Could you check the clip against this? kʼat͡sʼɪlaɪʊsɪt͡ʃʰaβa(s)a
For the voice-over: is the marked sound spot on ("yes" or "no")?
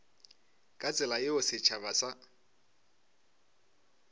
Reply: yes